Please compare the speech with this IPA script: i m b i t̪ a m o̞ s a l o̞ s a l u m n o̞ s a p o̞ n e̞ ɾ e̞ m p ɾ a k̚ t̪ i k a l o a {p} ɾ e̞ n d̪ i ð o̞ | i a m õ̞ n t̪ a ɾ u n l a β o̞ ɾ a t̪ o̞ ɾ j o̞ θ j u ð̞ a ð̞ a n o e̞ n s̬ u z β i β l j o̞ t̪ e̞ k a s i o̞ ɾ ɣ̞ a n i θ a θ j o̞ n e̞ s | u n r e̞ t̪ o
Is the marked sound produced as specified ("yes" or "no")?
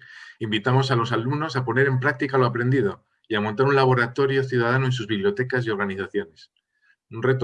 yes